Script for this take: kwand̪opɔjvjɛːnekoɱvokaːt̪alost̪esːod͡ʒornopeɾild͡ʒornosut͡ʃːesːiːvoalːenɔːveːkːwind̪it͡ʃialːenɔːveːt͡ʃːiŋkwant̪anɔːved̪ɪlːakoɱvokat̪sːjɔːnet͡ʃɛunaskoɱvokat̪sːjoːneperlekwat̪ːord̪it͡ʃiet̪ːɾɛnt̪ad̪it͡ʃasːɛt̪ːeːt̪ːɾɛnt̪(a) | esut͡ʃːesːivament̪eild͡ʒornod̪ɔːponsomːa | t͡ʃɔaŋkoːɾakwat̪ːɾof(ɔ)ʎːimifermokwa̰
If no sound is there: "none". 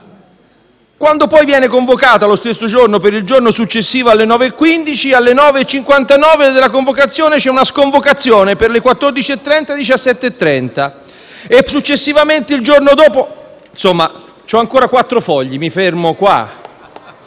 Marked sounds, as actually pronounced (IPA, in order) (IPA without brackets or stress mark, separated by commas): a, ɔ